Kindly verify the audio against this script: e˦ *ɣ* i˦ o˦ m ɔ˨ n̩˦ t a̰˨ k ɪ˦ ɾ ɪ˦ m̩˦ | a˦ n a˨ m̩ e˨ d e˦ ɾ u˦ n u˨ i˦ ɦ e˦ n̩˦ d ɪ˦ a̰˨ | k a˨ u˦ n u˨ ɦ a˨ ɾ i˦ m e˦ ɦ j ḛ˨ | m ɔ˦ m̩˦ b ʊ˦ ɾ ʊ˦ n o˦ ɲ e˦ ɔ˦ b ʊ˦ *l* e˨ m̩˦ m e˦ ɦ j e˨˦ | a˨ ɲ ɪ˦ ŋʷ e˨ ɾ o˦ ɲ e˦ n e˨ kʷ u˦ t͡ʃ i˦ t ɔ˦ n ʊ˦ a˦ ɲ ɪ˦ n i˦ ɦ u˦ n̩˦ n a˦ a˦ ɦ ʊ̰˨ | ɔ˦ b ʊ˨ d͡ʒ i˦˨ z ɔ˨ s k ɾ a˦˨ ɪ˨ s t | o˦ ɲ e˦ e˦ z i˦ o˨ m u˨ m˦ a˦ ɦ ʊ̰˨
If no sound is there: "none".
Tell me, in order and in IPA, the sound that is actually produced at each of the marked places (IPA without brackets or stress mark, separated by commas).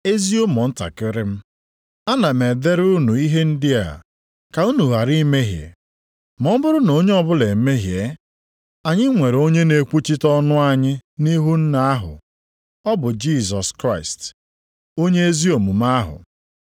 z, l